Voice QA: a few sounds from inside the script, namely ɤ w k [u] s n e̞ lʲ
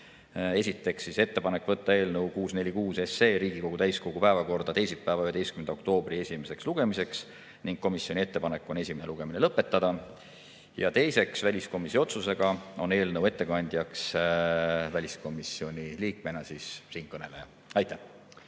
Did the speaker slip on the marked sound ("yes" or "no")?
yes